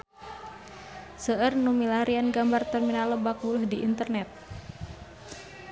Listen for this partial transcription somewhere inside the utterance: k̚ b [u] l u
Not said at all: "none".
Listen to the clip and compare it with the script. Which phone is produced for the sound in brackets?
u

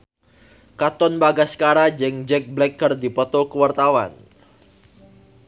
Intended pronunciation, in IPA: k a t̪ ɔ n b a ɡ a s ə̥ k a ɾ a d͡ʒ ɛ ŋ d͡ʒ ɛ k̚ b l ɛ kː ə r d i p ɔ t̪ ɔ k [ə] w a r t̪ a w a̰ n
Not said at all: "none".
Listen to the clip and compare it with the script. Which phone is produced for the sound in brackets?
ə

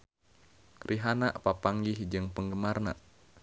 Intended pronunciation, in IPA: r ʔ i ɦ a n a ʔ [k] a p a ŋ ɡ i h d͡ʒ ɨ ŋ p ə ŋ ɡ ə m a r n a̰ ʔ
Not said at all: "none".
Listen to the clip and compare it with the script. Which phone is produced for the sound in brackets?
p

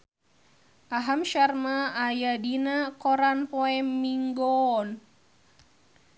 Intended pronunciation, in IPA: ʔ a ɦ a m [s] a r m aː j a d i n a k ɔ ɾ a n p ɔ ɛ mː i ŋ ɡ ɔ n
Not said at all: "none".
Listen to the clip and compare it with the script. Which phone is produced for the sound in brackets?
ʃ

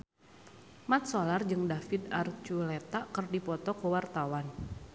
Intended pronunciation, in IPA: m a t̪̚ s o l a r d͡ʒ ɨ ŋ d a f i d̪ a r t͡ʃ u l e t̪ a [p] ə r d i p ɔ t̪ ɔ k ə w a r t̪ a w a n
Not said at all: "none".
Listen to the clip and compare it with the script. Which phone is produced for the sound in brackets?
k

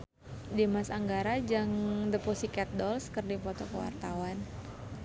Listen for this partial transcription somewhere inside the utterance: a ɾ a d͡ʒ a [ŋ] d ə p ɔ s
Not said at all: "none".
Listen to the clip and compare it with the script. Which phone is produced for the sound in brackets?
ŋ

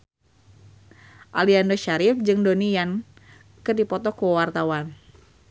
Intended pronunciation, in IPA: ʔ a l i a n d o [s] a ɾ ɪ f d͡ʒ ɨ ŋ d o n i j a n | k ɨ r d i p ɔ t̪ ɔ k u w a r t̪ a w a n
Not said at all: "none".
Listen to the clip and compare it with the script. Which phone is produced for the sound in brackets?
ʃ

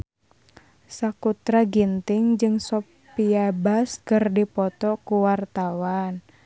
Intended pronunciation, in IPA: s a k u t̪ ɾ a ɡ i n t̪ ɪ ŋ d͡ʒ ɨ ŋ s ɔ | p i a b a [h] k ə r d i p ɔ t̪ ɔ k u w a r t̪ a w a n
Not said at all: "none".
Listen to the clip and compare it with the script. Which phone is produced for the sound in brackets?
s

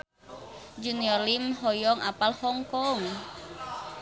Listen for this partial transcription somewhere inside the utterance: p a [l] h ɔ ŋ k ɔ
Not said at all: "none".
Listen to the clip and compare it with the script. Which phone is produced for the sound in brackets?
l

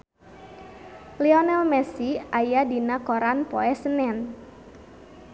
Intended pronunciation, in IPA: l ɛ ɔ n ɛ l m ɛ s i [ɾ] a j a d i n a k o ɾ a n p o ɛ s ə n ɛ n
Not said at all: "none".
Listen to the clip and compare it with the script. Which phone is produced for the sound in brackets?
none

